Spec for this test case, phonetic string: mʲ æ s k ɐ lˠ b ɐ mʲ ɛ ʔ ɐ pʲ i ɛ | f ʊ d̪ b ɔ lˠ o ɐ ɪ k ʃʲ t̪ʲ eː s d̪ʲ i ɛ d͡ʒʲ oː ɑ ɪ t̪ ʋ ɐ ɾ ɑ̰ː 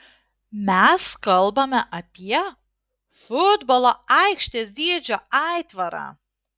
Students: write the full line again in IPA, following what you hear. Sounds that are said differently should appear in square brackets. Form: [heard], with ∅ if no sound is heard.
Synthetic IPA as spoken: mʲ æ s k ɐ lˠ b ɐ mʲ ɛ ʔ ɐ pʲ i ɛ | f ʊ d̪ b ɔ lˠ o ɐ ɪ k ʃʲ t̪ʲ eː s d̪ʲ i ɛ d͡ʒʲ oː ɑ ɪ t̪ ʋ ɐ ɾ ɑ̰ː

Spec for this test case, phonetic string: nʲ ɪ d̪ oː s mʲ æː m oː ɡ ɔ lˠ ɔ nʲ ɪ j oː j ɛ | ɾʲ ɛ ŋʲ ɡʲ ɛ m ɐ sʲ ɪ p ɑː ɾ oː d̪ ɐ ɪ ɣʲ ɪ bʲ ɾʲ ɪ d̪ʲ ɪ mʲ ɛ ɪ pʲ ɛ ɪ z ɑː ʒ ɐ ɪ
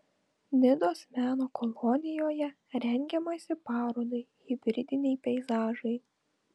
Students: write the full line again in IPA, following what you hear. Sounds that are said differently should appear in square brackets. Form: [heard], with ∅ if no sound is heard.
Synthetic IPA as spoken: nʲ ɪ d̪ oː s mʲ æː [n] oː [k] ɔ lˠ ɔ nʲ ɪ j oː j ɛ | ɾʲ ɛ ŋʲ ɡʲ ɛ m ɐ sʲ ɪ p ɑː ɾ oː d̪ ɐ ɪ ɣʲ ɪ bʲ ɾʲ ɪ d̪ʲ ɪ [nʲ] ɛ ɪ pʲ ɛ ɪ z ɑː ʒ ɐ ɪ

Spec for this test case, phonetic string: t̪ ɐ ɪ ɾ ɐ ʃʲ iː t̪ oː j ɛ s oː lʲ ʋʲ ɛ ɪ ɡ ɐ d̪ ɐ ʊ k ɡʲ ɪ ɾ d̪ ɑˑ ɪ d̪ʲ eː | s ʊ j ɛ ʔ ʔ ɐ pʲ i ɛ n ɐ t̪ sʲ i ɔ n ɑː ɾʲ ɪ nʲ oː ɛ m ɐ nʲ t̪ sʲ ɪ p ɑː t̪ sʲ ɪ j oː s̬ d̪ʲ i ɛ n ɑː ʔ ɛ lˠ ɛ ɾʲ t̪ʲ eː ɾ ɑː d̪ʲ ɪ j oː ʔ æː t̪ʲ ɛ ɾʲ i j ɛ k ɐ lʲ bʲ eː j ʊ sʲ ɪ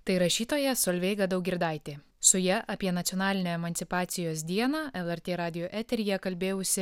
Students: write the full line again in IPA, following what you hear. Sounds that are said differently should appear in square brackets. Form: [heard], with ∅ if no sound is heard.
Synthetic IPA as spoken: t̪ ɐ ɪ ɾ ɐ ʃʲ iː t̪ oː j ɛ s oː lʲ ʋʲ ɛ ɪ ɡ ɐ d̪ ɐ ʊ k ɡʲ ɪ ɾ d̪ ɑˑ ɪ [t̪ʲ] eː | s ʊ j ɛ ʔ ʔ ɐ pʲ i ɛ n ɐ t̪ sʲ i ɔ n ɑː [lʲ] ɪ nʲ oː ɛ m ɐ nʲ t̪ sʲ ɪ p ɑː t̪ sʲ ɪ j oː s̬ d̪ʲ i ɛ n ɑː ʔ ɛ lˠ ɛ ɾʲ t̪ʲ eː ɾ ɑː d̪ʲ ɪ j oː ʔ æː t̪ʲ ɛ ɾʲ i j ɛ k ɐ lʲ bʲ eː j ʊ sʲ ɪ

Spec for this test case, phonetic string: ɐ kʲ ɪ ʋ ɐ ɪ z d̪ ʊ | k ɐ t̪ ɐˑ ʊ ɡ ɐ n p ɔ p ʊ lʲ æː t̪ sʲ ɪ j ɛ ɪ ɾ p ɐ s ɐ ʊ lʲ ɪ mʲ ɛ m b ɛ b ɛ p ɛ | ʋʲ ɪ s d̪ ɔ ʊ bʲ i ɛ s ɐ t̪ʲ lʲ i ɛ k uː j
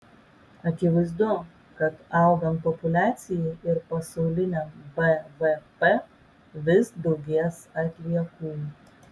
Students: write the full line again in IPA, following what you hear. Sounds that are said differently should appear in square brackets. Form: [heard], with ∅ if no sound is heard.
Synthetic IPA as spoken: ɐ kʲ ɪ ʋ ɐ ɪ z d̪ ʊ | k ɐ t̪ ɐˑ ʊ ɡ ɐ n p ɔ p ʊ lʲ æː t̪ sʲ ɪ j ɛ ɪ ɾ p ɐ s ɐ ʊ lʲ ɪ [nʲ] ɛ m b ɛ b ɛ p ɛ | ʋʲ ɪ s d̪ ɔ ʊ [ɡʲ] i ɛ s ɐ t̪ʲ lʲ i ɛ k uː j

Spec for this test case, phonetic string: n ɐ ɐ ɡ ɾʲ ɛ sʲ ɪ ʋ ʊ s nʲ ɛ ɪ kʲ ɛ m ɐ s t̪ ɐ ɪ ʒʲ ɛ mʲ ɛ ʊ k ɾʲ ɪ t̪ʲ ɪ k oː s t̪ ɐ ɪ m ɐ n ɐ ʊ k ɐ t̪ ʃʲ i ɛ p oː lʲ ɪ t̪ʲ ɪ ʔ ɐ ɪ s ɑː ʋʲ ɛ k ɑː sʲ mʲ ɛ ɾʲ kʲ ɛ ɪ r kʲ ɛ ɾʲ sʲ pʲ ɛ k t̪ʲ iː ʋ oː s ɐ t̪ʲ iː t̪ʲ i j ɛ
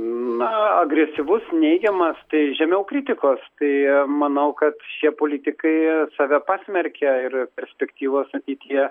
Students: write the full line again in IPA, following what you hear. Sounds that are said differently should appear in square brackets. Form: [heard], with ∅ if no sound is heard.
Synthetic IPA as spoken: n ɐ ɐ ɡ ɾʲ ɛ sʲ ɪ ʋ ʊ s nʲ ɛ ɪ [ɡʲ] ɛ m ɐ s t̪ ɐ ɪ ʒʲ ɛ mʲ ɛ ʊ k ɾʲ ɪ t̪ʲ ɪ k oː s t̪ ɐ ɪ m ɐ n ɐ ʊ k ɐ t̪ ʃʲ i ɛ p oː lʲ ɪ t̪ʲ ɪ [k] ɐ ɪ s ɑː ʋʲ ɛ [p] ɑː sʲ mʲ ɛ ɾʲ kʲ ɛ ɪ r [pʲ] ɛ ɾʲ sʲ pʲ ɛ k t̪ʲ iː ʋ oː s ɐ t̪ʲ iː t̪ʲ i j ɛ

